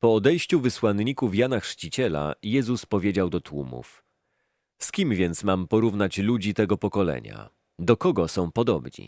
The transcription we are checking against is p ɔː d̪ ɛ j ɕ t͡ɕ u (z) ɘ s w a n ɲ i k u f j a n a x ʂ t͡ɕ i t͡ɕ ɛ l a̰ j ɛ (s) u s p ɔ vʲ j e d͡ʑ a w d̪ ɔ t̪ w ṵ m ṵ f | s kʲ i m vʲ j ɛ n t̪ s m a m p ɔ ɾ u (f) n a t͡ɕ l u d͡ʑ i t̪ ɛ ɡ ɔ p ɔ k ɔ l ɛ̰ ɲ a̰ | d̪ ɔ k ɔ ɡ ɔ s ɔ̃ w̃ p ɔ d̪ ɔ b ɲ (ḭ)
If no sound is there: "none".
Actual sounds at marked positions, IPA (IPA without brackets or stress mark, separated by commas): v, z, v, ḭ